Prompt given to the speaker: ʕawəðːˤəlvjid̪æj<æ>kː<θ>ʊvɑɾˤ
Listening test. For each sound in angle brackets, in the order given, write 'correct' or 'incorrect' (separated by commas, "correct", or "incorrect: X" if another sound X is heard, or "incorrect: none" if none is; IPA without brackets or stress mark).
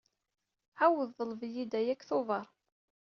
correct, correct